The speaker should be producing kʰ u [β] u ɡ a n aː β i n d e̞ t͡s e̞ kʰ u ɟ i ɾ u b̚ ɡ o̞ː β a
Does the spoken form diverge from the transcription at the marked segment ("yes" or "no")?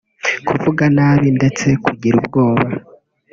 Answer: yes